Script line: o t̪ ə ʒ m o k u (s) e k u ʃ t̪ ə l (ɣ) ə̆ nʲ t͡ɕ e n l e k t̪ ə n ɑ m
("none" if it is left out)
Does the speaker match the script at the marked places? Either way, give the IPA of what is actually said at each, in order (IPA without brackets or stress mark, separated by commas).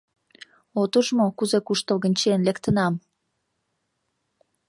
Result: z, ɣ